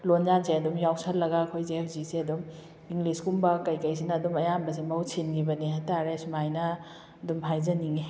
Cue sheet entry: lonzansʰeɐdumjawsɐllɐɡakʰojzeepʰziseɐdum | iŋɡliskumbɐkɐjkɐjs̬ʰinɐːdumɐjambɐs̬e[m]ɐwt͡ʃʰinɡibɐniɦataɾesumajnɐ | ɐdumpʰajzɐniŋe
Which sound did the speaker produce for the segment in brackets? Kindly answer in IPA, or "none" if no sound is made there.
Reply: m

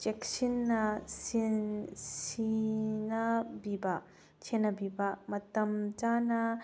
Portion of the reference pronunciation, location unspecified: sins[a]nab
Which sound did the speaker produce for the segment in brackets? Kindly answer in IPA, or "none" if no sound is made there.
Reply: i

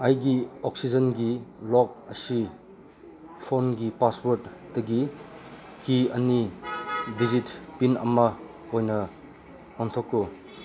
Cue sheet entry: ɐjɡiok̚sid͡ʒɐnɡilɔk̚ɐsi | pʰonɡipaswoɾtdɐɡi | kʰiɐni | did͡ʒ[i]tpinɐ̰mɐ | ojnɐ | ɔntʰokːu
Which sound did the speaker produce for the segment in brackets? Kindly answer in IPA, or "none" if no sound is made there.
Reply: i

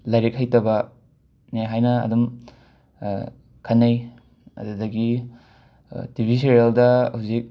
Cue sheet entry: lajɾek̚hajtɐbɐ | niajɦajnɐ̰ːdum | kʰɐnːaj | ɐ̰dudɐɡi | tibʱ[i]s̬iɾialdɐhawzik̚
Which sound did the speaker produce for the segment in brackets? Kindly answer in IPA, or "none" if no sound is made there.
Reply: i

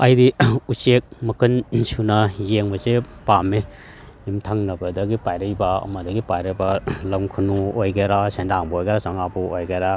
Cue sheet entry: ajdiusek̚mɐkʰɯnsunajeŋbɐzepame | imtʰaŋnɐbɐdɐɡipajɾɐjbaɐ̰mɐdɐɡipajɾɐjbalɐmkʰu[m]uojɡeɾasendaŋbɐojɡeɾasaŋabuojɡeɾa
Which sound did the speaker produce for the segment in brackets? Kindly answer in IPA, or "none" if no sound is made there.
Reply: n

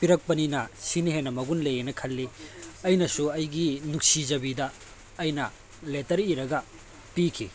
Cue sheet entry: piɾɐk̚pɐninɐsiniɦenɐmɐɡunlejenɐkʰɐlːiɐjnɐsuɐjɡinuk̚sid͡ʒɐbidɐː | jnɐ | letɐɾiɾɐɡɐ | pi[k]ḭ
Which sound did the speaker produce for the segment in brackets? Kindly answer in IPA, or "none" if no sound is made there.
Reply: kʰ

